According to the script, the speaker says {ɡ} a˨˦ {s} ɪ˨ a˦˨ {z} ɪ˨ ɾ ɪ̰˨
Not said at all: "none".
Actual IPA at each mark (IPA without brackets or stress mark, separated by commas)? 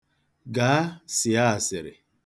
ɡ, s, s